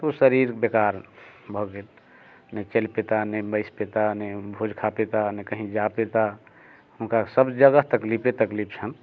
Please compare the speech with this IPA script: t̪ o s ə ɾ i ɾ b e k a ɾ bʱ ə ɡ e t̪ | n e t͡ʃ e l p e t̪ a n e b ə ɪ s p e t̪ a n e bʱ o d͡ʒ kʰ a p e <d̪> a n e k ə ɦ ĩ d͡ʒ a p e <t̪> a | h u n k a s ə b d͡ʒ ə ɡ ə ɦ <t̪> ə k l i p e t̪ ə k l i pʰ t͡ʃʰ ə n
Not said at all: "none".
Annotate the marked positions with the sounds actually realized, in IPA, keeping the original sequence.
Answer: t̪, t̪, t̪

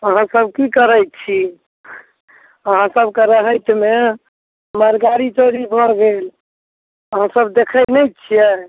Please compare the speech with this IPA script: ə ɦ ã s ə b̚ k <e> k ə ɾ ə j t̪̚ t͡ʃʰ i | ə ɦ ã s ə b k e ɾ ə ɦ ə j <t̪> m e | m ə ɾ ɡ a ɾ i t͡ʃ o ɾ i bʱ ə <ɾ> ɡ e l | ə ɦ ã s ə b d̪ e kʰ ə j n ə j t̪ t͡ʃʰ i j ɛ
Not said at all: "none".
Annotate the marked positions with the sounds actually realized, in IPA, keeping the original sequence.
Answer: i, t̪, ɾ

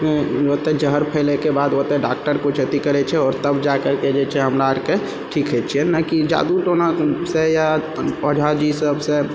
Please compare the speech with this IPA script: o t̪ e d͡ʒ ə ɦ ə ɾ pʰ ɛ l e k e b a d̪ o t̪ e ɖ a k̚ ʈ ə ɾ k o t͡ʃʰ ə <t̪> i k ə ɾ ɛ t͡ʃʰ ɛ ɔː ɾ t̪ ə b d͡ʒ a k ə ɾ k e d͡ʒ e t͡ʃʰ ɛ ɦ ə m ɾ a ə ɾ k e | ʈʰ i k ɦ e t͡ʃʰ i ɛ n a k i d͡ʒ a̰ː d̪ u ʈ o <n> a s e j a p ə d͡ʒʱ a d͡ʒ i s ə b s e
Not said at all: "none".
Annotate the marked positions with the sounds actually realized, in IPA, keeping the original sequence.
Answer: t̪, n

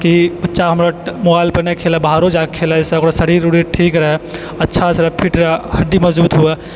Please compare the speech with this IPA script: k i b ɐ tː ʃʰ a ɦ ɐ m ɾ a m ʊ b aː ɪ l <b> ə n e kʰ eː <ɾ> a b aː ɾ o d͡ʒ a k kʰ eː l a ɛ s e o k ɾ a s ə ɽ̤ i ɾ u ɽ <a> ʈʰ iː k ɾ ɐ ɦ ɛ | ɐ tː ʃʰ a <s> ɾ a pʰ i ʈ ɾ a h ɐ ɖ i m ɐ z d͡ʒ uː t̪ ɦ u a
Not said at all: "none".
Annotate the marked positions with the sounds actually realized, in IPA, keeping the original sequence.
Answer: p, l, i, s

